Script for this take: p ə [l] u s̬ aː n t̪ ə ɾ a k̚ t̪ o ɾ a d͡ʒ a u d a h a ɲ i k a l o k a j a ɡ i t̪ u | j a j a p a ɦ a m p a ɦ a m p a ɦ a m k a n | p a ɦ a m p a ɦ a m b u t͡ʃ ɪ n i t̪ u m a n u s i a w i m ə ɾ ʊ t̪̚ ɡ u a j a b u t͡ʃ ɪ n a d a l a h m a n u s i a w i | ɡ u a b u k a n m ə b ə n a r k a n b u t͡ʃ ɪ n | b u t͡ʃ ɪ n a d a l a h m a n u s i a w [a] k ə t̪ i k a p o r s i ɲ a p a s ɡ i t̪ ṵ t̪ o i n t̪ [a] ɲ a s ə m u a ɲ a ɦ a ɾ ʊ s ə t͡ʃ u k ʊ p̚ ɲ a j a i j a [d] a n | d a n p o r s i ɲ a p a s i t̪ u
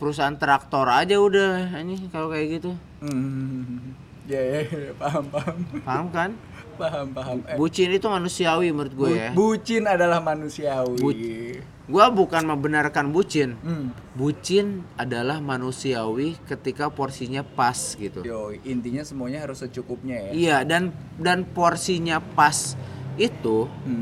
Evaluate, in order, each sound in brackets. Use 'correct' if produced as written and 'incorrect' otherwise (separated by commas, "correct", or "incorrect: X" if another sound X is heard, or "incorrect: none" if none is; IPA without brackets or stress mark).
incorrect: ɾ, incorrect: i, incorrect: i, correct